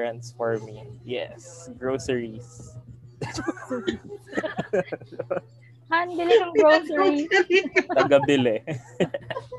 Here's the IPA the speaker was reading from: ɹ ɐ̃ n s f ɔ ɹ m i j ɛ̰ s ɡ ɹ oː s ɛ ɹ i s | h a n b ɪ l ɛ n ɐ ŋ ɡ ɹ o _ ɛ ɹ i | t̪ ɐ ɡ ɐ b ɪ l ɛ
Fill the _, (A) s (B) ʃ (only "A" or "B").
A